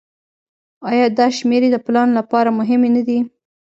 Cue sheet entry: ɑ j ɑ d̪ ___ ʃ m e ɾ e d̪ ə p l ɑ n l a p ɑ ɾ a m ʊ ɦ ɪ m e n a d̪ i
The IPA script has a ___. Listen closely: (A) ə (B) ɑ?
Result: B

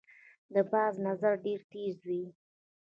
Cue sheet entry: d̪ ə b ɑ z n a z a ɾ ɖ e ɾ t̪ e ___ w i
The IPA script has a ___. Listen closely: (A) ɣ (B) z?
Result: B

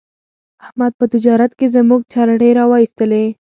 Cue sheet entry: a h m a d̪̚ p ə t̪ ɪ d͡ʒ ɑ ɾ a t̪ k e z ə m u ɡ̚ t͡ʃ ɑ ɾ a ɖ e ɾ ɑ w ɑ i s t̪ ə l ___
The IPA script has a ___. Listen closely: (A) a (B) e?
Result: B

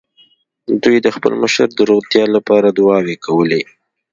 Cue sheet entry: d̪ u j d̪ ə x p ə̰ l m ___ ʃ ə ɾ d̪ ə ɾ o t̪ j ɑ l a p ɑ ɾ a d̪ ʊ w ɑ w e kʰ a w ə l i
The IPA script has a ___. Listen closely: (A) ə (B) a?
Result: A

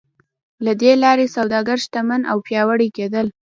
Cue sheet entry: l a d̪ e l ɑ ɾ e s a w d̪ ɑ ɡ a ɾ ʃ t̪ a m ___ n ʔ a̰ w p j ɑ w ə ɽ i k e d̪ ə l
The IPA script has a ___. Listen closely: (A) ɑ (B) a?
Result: B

